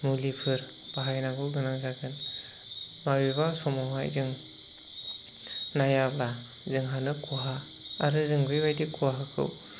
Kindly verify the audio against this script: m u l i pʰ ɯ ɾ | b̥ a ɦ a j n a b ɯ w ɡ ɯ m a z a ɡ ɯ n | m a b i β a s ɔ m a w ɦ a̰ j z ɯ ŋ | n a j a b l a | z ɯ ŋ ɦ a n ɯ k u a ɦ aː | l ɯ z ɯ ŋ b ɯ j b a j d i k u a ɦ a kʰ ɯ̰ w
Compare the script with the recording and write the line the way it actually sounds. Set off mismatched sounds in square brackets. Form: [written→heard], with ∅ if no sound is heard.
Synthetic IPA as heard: m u l i pʰ ɯ ɾ | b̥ a ɦ a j n a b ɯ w ɡ ɯ [m→n] a z a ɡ ɯ n | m a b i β a s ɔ m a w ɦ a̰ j z ɯ ŋ | n a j a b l a | z ɯ ŋ ɦ a n ɯ k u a ɦ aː | [l→ɾ] ɯ z ɯ ŋ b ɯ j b a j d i k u a ɦ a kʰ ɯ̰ w